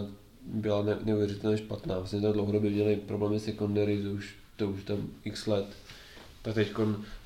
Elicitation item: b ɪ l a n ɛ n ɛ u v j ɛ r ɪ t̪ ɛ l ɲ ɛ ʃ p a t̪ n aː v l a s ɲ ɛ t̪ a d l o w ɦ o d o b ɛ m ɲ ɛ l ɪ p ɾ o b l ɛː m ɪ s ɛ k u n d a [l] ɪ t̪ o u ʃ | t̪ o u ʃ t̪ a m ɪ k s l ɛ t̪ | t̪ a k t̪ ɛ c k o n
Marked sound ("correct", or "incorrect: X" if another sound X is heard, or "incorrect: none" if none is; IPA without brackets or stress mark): incorrect: ɾ